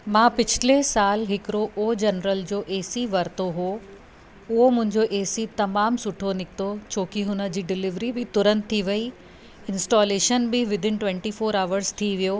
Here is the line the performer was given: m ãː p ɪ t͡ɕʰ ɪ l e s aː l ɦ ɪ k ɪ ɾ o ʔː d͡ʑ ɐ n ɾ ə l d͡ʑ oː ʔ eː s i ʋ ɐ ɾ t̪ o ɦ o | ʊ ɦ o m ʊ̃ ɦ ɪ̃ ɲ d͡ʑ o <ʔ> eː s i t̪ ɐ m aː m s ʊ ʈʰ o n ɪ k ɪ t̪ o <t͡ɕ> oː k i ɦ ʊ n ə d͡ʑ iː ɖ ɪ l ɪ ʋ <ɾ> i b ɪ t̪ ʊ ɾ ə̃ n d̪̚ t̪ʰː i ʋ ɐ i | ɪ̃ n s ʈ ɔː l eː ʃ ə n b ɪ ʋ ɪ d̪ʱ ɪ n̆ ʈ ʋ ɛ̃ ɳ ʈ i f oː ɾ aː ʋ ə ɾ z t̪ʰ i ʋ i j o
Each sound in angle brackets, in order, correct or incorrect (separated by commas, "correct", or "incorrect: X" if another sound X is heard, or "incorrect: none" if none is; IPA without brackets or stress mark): correct, incorrect: t͡ɕʰ, correct